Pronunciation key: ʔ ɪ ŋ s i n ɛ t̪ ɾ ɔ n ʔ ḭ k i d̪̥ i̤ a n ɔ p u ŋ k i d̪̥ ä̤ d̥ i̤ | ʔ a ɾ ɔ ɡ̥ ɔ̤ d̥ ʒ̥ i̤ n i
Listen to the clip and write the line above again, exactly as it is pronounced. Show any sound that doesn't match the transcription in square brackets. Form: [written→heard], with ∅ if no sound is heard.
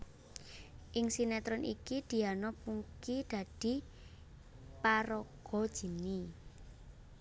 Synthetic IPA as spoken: ʔ ɪ ŋ s i n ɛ t̪ ɾ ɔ n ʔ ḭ k i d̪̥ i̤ a n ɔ p u ŋ k i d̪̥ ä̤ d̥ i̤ | [ʔ→p] a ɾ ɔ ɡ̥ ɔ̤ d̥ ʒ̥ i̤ n i